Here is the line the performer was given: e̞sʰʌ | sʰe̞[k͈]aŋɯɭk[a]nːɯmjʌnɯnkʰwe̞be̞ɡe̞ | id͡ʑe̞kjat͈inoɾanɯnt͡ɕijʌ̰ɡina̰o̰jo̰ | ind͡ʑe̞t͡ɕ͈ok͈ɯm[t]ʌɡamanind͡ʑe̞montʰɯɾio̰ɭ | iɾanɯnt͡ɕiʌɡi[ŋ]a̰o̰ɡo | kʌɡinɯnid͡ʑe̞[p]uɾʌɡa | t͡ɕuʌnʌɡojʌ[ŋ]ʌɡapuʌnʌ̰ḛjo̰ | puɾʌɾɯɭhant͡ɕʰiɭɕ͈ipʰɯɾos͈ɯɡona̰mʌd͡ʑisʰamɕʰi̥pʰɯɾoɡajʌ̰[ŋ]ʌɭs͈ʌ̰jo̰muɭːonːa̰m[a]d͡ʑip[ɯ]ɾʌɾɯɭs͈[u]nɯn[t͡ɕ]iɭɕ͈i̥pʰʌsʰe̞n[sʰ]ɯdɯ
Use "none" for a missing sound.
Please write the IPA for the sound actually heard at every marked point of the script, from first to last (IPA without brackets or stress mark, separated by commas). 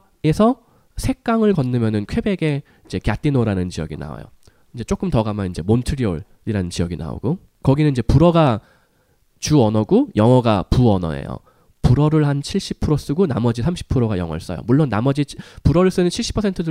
k͈, ʌ, t, n, p, ŋ, ŋ, ʌ, u, ɯ, t͡ɕʰ, tʰ